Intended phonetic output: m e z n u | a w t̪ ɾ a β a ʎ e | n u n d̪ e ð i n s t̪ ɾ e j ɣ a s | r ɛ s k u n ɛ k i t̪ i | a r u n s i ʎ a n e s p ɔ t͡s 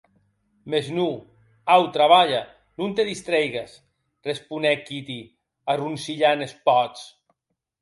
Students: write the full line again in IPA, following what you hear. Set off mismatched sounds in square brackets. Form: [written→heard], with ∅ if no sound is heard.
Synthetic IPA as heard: m e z n u | a w t̪ ɾ a β a ʎ [e→a] | n u n [d̪→t̪] e ð i [n→∅] s t̪ ɾ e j ɣ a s | r [ɛ→e] s [k→p] u n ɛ k i t̪ i | a r u n s i ʎ a n e s p ɔ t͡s